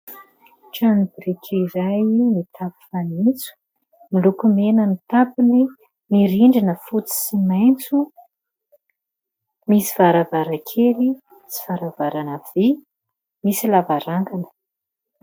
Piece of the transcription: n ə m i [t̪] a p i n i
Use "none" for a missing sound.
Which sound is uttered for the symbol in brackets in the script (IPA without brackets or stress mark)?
t̪